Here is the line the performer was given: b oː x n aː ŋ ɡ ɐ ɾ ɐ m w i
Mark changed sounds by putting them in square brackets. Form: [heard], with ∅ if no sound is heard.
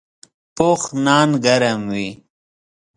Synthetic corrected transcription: [p] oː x n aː [n] ɡ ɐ ɾ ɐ m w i